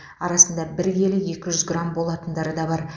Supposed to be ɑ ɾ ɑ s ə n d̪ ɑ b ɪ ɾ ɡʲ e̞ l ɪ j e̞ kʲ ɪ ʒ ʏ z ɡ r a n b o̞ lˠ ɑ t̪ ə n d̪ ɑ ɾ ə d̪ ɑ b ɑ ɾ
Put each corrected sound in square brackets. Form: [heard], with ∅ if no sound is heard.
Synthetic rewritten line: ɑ ɾ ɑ s ə n d̪ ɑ b ɪ ɾ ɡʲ e̞ l ɪ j e̞ kʲ ɪ ʒ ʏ z ɡ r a [m] b o̞ lˠ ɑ t̪ ə n d̪ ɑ ɾ ə d̪ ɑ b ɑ ɾ

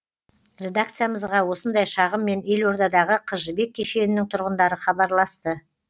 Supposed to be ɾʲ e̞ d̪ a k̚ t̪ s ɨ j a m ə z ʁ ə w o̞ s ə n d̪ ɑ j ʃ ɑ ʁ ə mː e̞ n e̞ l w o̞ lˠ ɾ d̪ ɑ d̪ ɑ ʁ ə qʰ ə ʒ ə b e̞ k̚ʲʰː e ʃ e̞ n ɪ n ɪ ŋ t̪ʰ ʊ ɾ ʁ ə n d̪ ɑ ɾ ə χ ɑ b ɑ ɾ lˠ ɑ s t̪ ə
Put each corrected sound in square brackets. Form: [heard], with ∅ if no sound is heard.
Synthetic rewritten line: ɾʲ e̞ d̪ a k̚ t̪ s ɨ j a m ə z ʁ [ɑ] w o̞ s ə n d̪ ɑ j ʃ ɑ ʁ ə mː e̞ n e̞ l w o̞ [∅] ɾ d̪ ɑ d̪ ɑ ʁ ə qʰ ə ʒ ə b e̞ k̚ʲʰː e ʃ e̞ n ɪ n ɪ ŋ t̪ʰ ʊ ɾ ʁ ə n d̪ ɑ ɾ ə χ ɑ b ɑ ɾ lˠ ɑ s t̪ ə

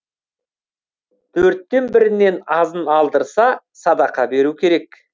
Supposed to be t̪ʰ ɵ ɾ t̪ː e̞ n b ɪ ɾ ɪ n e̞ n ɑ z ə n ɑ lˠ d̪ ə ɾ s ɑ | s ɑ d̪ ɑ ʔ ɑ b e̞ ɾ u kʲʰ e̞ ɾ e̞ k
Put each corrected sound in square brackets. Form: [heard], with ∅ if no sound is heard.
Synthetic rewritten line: t̪ʰ ɵ ɾ t̪ː e̞ n b ɪ ɾ ɪ n e̞ n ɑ z ə n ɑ lˠ d̪ ə ɾ s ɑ | s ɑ d̪ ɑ [q] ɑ b e̞ ɾ u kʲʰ e̞ ɾ e̞ k

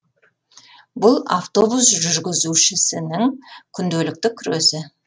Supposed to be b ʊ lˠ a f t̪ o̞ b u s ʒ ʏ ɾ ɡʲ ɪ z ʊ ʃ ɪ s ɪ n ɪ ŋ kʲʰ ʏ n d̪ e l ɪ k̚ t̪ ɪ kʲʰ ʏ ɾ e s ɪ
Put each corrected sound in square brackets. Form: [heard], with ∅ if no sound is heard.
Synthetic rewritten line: b ʊ lˠ a f t̪ o̞ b u s ʒ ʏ ɾ ɡʲ ɪ z [u] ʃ ɪ s ɪ n ɪ ŋ kʲʰ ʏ n d̪ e l ɪ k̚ t̪ ɪ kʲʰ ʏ ɾ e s ɪ

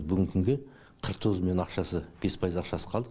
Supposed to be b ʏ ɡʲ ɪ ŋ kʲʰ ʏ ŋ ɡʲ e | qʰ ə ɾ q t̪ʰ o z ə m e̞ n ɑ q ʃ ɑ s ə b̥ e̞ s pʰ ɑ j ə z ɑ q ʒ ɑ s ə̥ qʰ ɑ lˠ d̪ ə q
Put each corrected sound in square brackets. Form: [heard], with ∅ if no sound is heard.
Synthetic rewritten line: b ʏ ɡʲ ɪ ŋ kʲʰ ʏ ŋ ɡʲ e | qʰ ə ɾ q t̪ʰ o z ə m e̞ n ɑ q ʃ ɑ s ə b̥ e̞ s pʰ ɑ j ə z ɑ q [ʃ] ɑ s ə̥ qʰ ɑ lˠ d̪ ə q

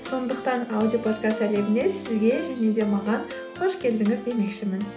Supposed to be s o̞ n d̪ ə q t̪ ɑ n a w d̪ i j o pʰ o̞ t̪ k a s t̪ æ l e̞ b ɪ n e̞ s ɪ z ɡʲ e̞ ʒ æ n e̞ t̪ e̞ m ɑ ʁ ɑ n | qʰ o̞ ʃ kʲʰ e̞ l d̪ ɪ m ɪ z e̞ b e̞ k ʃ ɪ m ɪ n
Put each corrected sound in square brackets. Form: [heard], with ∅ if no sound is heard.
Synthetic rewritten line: s o̞ n d̪ ə q t̪ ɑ n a w d̪ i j o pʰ o̞ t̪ k a s t̪ æ l e̞ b ɪ n e̞ s ɪ z ɡʲ e̞ ʒ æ n e̞ [d̪] e̞ m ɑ ʁ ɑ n | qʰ o̞ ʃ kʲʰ e̞ l d̪ ɪ [ŋ] ɪ z e̞ [m] e̞ k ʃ ɪ m ɪ n

